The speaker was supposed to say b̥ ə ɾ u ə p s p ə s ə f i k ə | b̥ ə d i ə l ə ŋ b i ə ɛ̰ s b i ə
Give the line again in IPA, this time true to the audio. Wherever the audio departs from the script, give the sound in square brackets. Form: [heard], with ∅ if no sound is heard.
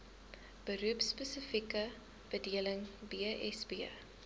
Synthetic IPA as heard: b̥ ə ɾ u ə p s p ə s ə f i k ə | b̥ ə d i ə l ə ŋ b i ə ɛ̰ s b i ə